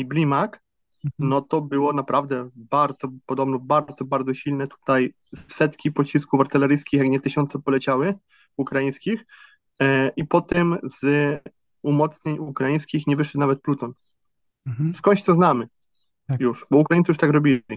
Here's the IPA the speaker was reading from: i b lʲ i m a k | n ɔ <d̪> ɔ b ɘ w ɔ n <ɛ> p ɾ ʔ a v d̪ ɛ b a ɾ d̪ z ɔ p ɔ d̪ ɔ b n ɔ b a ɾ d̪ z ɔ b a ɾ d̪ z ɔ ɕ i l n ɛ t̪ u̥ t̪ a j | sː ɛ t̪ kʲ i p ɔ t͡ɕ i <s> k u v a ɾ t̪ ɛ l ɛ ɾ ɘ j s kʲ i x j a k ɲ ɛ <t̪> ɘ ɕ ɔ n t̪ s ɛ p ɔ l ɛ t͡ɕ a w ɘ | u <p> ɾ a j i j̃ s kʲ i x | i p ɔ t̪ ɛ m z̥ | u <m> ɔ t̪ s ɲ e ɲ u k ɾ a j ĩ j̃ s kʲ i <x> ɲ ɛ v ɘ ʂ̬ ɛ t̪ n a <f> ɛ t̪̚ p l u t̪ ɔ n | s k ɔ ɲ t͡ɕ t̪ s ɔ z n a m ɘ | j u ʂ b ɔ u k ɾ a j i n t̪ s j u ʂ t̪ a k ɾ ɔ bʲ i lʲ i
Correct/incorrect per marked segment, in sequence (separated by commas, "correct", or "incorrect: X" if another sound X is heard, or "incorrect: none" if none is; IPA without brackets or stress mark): incorrect: t̪, incorrect: a, correct, correct, incorrect: k, correct, correct, incorrect: v